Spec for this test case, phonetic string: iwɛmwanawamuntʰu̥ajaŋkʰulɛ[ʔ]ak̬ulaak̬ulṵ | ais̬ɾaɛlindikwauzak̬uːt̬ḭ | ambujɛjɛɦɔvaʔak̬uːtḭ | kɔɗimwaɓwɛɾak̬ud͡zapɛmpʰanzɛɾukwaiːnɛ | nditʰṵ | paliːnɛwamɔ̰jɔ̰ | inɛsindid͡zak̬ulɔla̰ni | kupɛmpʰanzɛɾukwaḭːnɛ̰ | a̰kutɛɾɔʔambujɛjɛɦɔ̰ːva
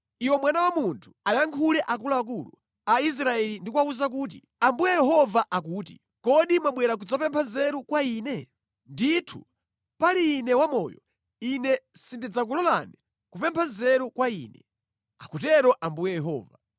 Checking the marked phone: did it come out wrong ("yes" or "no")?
no